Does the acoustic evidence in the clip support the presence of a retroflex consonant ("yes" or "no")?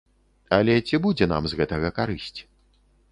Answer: no